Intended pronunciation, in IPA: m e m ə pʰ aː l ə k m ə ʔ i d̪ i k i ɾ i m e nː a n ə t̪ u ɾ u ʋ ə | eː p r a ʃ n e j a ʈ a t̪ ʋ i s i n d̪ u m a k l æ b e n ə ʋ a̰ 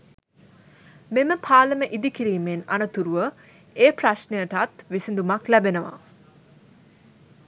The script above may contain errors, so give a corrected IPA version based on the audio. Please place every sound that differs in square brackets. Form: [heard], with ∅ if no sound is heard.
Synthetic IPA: m e m ə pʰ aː l ə [∅] m ə ʔ i d̪ i k i ɾ [iː] m e [n] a n ə t̪ u ɾ u ʋ ə | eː p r a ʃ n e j [ə] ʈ a t̪ ʋ i s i n d̪ u m a k l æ b e n ə ʋ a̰